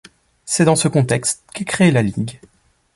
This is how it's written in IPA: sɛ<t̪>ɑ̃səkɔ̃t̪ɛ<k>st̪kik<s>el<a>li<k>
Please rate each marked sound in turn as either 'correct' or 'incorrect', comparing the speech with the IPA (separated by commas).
incorrect, correct, incorrect, correct, incorrect